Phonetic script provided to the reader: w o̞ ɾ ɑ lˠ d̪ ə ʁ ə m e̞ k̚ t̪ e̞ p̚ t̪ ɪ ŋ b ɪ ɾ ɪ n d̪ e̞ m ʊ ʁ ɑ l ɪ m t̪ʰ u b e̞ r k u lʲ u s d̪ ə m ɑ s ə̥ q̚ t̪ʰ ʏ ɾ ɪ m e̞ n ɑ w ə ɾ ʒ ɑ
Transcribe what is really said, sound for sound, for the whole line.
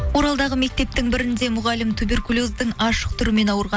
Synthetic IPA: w o̞ ɾ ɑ lˠ d̪ ɑ ʁ ə m e̞ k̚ t̪ e̞ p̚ t̪ ɪ ŋ b ɪ ɾ ɪ n d̪ e̞ m ʊ ʁ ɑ l ɪ m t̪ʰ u b e̞ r k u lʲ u z d̪ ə ŋ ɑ ʃ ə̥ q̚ t̪ʰ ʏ ɾ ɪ m e̞ n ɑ w ə ɾ ʁ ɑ

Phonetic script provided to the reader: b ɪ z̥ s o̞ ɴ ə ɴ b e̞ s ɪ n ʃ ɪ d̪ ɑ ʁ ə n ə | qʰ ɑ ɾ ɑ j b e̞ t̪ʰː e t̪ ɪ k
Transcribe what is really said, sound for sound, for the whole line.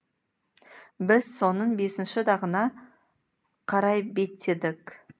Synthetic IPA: b ɪ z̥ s o̞ n ə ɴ b e̞ s ɪ n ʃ ɪ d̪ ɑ ʁ ə n ɑ | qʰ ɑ ɾ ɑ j b e̞ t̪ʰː e d̪ ɪ k

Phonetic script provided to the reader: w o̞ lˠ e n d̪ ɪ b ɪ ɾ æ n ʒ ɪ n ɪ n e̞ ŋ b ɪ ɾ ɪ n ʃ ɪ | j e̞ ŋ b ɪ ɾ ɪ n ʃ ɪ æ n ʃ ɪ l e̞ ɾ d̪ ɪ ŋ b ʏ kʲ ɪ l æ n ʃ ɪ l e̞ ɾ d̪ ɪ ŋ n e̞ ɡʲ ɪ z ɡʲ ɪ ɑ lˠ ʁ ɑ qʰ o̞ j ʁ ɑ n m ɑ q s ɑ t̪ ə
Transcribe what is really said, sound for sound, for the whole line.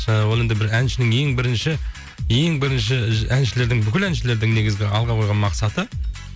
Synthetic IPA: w o̞ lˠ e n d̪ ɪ b ɪ ɾ æ n ʃ ɪ n ɪ ŋ e̞ ŋ b ɪ ɾ ɪ n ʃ ɪ | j e̞ ŋ b ɪ ɾ ɪ n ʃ ɪ æ n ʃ ɪ l e̞ ɾ d̪ ɪ ŋ b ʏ kʲ ɪ l æ n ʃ ɪ l e̞ ɾ d̪ ɪ ŋ n e̞ ɡʲ ɪ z ɡʲ ɪ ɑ lˠ ʁ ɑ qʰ o̞ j ʁ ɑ n m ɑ q s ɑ t̪ ə

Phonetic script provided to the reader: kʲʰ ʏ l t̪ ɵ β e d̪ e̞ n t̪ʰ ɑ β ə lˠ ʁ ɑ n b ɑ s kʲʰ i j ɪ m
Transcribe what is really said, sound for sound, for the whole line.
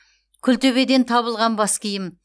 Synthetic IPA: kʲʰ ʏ l t̪ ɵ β e d̪ e̞ n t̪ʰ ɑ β ə lˠ ʁ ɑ n b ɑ s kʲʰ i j ɪ m

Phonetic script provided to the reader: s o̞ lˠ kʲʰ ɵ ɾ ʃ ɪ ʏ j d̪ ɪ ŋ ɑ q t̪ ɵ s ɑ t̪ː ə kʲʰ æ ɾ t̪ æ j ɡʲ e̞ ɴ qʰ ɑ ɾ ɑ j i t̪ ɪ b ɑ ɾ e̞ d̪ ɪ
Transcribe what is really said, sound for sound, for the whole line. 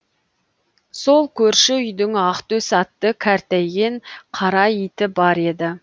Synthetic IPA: s o̞ lˠ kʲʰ ɵ ɾ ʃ ɪ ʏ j d̪ ɪ ŋ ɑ q t̪ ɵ s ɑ t̪ː ə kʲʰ æ ɾ t̪ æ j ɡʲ e̞ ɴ qʰ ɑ ɾ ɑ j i t̪ ɪ b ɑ ɾ e̞ d̪ ɪ

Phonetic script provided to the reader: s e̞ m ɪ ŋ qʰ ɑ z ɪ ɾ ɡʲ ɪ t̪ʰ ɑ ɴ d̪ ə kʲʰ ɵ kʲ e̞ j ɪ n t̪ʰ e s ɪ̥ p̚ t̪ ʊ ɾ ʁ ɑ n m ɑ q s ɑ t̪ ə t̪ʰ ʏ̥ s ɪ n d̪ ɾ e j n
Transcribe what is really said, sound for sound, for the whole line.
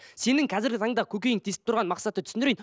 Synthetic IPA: s e̞ n ɪ ŋ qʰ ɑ z ɪ ɾ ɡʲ ɪ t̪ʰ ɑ ɴ d̪ ɑ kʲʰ ɵ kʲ e̞ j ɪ ŋ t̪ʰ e s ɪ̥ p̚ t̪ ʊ ɾ ʁ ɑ n m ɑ q s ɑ t̪ ə t̪ʰ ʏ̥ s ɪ n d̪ ɾ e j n

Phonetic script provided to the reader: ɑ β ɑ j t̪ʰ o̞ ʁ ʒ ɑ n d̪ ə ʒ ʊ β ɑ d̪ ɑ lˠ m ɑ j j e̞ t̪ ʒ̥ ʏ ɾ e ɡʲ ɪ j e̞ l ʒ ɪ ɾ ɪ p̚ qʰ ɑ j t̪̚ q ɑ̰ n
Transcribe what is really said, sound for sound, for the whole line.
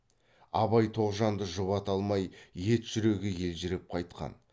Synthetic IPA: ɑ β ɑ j t̪ʰ o̞ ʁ ʒ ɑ n d̪ ə ʒ ʊ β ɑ t̪ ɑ lˠ m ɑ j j e̞ t̪ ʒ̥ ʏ ɾ e ɡʲ ɪ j e̞ l ʒ ɪ ɾ ɪ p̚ qʰ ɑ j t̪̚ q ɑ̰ n

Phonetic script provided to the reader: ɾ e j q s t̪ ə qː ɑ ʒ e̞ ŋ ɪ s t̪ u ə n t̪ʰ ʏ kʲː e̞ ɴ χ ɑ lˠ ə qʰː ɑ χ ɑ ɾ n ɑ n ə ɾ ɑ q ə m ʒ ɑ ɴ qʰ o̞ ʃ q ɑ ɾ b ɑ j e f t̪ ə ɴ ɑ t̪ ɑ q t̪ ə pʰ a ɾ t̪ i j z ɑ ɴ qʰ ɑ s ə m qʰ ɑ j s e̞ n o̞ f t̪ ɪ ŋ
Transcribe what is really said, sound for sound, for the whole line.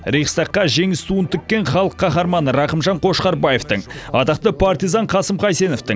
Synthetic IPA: ɾ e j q s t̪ ɑ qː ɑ ʒ e̞ ŋ ɪ s t̪ u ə n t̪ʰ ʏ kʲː e̞ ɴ χ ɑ lˠ ə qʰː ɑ χ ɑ ɾ m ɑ n ə ɾ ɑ q ə m ʒ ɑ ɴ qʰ o̞ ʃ q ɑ ɾ b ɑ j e f t̪ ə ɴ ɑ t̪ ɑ q t̪ ə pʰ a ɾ t̪ i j z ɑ ɴ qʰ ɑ s ə m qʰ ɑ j s e̞ n o̞ f t̪ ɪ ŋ

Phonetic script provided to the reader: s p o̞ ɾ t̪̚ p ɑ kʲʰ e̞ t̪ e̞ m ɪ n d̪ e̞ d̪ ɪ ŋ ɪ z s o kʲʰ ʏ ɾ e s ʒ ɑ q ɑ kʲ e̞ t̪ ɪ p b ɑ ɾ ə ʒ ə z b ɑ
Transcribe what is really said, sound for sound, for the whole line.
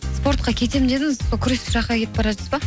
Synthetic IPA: s p o̞ ɾ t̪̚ q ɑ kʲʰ e̞ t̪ e̞ m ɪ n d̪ e̞ d̪ ɪ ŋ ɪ z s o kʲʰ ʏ ɾ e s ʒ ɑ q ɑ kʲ e̞ t̪ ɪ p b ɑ ɾ ɑ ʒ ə z b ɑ

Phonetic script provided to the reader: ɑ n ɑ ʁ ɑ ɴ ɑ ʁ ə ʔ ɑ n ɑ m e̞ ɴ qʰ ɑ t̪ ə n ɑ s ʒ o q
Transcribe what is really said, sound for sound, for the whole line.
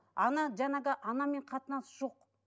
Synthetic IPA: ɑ n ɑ ʒ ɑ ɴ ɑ ʁ ə ʔ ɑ n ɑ m e̞ ɴ qʰ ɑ t̪ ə n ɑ s ʒ o q

